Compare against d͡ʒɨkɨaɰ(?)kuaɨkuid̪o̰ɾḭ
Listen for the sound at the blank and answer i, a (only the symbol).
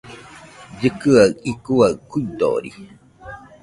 i